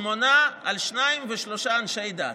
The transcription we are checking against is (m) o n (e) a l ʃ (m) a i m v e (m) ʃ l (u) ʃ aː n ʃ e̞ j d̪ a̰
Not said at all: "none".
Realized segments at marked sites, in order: m, a, n, none, o

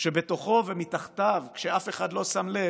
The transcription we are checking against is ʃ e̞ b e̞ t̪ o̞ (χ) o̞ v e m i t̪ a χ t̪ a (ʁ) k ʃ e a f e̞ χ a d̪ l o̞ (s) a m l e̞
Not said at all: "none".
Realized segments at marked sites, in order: χ, v, s

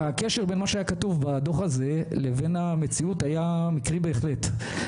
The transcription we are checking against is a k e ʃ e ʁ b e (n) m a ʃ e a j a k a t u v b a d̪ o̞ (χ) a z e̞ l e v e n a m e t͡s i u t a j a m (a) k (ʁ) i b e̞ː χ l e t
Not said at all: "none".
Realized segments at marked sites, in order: n, χ, i, ʁ

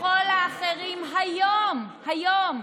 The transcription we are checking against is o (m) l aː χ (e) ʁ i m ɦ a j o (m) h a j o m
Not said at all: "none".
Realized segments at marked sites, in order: none, e, m

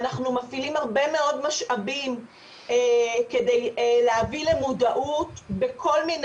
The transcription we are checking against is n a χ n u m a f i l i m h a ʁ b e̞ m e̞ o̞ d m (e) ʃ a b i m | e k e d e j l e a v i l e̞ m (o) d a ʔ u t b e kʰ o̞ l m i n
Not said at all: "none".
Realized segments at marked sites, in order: a, u

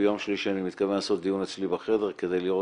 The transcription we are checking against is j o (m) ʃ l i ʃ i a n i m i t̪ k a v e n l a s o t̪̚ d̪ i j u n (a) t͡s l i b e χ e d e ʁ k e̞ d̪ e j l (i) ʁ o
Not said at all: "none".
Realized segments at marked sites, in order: m, e, i

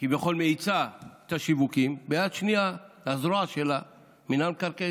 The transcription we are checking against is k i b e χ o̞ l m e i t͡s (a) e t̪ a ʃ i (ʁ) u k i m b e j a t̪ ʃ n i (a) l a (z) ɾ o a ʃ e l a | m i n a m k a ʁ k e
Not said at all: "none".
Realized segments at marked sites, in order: a, v, a, z

